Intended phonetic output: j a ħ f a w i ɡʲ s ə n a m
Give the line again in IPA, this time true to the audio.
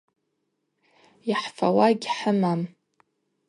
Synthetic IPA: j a ħ f a w a ɡʲ ħ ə m a m

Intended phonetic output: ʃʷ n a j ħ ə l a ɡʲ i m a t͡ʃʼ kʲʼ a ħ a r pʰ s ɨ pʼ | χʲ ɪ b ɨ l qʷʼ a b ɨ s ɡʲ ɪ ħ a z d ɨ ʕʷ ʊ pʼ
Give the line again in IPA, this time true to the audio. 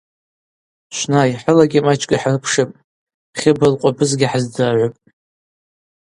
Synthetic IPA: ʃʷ n a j ħ ə l a ɡʲ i m a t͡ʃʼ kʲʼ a ħ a r pʰ ʂ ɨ pʼ | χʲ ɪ b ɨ l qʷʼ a b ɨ z ɡʲ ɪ ħ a z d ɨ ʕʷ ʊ pʼ

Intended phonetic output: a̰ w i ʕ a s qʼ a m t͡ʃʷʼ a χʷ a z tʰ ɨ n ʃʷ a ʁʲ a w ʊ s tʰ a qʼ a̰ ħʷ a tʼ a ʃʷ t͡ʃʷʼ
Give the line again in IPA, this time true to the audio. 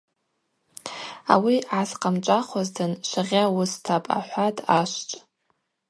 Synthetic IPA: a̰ w i ʕ a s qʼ a m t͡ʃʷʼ a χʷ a z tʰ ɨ n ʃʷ a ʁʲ a w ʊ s tʰ a pʼ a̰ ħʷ a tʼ a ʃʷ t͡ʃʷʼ

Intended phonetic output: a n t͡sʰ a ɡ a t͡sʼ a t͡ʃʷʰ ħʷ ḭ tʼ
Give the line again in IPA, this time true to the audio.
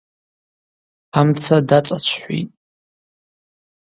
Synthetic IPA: a m t͡sʰ a d a t͡sʼ a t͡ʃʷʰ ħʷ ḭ tʼ

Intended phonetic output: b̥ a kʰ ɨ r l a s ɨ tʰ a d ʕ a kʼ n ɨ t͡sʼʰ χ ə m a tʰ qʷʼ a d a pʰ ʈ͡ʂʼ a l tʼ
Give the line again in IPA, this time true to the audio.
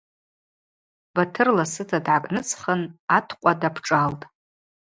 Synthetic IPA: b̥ a tʰ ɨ r l a s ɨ tʰ a d ʕ a kʼ n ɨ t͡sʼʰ χ ə n a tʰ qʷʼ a d a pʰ ʈ͡ʂʼ a l tʼ

